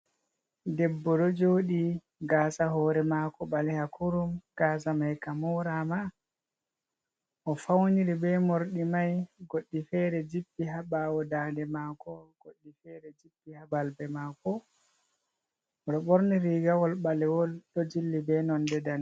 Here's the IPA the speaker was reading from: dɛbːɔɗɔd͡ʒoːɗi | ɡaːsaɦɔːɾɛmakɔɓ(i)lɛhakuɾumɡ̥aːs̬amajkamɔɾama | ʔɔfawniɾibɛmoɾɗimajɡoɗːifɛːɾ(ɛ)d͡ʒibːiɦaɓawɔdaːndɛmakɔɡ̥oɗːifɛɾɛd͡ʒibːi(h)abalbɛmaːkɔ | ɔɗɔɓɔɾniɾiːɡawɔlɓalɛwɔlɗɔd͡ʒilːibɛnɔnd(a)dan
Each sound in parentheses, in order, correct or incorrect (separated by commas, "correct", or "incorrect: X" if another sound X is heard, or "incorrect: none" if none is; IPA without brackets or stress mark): incorrect: a, correct, correct, incorrect: ɛ